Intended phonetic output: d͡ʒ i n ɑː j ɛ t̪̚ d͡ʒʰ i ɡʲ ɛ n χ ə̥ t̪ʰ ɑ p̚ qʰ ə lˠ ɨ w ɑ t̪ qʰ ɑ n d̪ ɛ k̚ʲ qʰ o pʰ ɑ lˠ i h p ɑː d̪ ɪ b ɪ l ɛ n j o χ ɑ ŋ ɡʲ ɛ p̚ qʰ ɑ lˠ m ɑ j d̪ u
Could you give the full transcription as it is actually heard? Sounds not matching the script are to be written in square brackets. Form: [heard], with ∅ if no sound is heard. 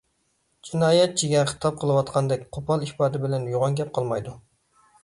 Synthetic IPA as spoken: d͡ʒ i n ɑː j ɛ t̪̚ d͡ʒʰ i ɡʲ ɛ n χ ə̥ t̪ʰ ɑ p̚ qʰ ə lˠ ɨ w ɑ t̪ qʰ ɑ n d̪ ɛ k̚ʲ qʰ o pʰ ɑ lˠ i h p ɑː d̪ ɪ b ɪ l ɛ n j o [ʁ] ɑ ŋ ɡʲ ɛ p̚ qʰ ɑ lˠ m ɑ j d̪ u